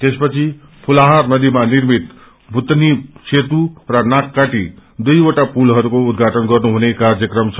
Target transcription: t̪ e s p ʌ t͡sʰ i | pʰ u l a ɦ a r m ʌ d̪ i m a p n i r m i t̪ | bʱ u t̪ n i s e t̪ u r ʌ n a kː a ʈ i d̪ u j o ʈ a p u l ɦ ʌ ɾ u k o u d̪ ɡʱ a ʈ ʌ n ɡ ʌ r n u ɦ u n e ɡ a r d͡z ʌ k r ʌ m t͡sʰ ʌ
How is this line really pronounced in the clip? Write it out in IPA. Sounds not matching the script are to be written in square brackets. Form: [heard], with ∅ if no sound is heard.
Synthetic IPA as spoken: t̪ e s p ʌ t͡sʰ i | pʰ u l a ɦ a r [n] ʌ d̪ i m a [∅] n i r m i t̪ | bʱ u t̪ n i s e t̪ u r ʌ n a kː a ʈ i d̪ u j o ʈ a p u l ɦ ʌ ɾ u k o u d̪ ɡʱ a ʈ ʌ n ɡ ʌ r n u ɦ u n e [k] a r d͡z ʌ k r ʌ m t͡sʰ ʌ